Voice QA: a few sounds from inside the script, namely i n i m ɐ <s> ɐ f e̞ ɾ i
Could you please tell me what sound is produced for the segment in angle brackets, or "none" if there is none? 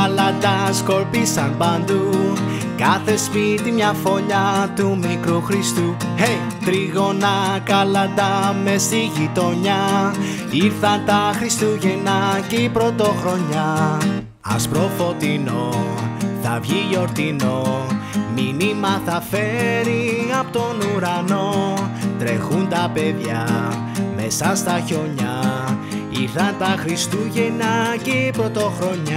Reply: θ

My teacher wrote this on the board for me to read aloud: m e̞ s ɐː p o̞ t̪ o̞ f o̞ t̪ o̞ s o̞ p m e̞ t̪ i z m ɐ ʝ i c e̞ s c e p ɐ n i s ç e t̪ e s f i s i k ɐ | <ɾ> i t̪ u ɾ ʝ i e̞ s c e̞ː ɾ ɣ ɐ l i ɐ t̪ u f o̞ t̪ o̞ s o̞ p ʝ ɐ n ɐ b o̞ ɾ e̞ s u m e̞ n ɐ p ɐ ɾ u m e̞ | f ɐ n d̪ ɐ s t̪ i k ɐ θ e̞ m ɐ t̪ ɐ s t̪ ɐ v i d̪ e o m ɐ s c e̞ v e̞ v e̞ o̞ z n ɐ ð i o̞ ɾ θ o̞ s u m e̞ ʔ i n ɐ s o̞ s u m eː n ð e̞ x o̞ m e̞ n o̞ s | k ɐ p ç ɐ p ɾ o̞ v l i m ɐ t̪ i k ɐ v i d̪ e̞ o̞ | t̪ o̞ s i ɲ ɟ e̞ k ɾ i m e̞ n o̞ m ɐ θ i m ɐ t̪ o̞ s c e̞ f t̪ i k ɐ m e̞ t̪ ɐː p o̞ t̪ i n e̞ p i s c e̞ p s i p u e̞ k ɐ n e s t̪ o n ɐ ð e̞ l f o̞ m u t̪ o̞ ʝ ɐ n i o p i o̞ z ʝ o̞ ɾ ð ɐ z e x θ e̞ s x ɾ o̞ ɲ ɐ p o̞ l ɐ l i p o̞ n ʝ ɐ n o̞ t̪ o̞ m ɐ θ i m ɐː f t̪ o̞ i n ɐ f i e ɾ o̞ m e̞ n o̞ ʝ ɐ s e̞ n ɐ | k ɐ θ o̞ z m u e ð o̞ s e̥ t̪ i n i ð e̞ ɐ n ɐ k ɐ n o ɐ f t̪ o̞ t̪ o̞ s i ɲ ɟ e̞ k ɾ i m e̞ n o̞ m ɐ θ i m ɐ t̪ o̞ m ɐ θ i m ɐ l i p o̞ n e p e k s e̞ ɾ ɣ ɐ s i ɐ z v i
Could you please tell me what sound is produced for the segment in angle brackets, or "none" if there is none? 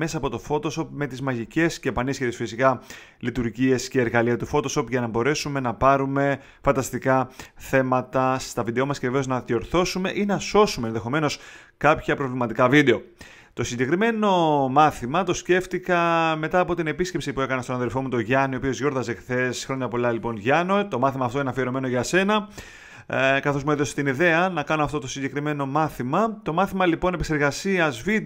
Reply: l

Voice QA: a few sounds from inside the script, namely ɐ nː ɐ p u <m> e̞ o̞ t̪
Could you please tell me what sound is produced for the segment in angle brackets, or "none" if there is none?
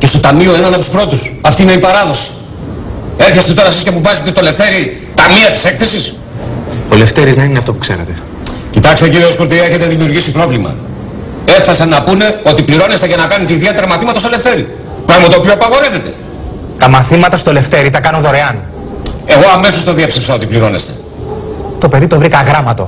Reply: n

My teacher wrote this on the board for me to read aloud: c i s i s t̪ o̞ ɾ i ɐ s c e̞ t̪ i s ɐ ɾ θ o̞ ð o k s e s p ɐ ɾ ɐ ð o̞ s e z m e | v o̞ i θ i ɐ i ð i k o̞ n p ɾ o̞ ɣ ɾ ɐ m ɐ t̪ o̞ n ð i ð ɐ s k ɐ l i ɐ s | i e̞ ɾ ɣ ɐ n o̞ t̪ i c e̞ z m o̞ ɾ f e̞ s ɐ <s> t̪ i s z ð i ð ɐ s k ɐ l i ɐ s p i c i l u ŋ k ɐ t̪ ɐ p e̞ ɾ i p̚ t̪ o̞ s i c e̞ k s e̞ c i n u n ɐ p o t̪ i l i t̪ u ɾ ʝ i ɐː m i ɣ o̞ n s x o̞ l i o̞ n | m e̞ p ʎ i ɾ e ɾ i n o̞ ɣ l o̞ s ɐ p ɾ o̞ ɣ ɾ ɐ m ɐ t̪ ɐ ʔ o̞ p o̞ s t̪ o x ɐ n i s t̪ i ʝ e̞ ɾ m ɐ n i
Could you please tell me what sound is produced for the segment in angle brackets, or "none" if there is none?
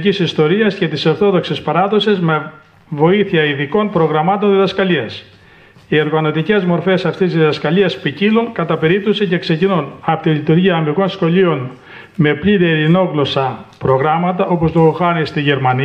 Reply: f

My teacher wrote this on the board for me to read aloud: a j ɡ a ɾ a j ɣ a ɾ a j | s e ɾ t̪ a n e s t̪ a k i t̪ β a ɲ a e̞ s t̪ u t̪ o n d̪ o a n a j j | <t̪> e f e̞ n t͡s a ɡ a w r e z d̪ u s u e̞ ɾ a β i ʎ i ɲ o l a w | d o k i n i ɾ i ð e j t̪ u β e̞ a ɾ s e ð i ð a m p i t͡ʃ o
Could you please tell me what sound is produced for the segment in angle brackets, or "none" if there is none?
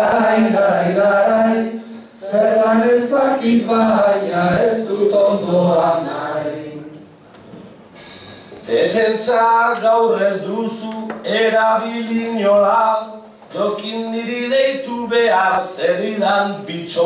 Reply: d̪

